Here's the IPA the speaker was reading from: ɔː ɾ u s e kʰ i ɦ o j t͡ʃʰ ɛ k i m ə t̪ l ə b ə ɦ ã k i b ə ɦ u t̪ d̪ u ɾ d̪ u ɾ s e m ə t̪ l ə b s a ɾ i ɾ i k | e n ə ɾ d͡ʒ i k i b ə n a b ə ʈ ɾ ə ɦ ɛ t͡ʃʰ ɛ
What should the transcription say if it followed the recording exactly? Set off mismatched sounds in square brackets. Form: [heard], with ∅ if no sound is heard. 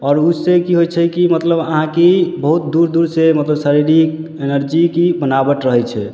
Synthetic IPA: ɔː ɾ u s e [k] i ɦ o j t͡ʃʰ ɛ k i m ə t̪ l ə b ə ɦ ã k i b ə ɦ u t̪ d̪ u ɾ d̪ u ɾ s e m ə t̪ l ə b s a ɾ i ɾ i k | e n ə ɾ d͡ʒ i k i b ə n a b ə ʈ ɾ ə ɦ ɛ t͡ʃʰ ɛ